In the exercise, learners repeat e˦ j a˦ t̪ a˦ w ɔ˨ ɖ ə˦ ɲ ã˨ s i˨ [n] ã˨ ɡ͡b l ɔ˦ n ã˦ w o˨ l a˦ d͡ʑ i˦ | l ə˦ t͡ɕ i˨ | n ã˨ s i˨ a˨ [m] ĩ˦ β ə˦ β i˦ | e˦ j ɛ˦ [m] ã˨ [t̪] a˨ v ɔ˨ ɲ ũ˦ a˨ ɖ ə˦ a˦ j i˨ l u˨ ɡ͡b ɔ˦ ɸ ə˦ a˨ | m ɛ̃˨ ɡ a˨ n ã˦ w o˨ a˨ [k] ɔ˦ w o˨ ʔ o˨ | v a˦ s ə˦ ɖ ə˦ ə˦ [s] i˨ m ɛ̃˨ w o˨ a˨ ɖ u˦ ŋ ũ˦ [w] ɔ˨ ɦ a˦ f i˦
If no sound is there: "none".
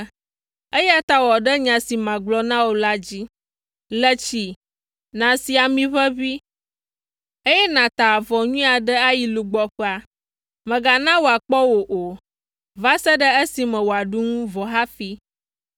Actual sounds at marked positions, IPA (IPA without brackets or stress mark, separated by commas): m, m, n, t̪, k͡p, s, v